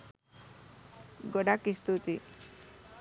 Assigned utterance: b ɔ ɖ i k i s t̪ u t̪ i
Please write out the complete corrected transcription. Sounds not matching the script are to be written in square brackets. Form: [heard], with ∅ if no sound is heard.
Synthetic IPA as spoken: [ɡ] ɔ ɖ [a] k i s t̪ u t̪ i